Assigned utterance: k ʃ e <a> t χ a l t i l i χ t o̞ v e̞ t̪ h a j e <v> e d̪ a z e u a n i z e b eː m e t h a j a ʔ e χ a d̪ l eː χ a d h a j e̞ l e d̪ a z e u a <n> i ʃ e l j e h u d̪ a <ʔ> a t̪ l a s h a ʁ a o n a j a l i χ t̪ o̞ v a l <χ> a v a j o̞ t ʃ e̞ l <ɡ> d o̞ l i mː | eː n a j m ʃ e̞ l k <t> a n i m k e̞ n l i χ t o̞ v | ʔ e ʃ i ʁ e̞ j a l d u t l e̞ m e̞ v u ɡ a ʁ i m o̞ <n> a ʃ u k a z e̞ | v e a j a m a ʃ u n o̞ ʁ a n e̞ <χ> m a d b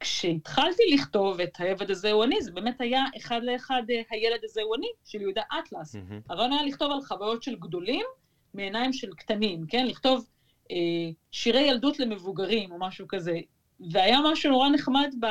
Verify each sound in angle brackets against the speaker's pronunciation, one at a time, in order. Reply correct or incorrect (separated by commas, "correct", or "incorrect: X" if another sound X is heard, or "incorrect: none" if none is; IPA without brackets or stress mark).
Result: incorrect: i, correct, correct, correct, correct, correct, correct, incorrect: m, correct